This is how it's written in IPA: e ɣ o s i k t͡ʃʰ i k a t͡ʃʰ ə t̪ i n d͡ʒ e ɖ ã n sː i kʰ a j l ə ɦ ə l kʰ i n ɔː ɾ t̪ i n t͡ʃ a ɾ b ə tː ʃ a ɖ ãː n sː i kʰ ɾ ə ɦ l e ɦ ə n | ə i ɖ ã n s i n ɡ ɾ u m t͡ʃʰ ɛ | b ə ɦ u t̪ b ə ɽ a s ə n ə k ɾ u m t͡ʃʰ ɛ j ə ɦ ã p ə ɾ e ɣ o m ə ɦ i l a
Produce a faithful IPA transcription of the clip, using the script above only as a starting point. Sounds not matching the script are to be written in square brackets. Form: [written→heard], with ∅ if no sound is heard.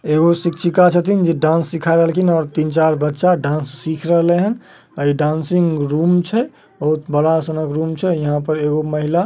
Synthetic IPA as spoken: e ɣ o s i k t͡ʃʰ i k a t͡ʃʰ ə t̪ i n d͡ʒ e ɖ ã n sː i kʰ a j [l→ɾ] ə ɦ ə l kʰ i n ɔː ɾ t̪ i n t͡ʃ a ɾ b ə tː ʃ a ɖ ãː n sː i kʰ ɾ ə ɦ l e ɦ ə n | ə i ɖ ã n s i [n→ŋ] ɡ ɾ u m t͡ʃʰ ɛ | b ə ɦ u t̪ b ə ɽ a s ə n ə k ɾ u m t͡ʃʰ ɛ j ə ɦ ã p ə ɾ e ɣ o m ə ɦ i l a